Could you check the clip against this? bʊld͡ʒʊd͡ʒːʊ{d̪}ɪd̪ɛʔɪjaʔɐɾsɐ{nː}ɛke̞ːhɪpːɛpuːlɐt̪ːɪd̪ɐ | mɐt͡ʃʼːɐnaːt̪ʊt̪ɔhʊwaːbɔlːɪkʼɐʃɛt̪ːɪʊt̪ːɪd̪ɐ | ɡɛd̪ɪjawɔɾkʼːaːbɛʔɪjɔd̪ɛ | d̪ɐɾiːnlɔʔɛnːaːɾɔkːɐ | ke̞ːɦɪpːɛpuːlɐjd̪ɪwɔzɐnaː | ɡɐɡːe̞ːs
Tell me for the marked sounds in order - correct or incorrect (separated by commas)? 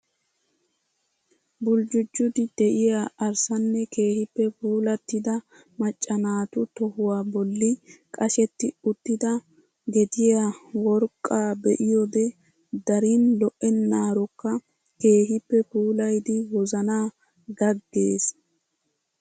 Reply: correct, correct